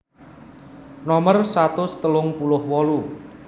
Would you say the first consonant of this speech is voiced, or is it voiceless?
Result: voiced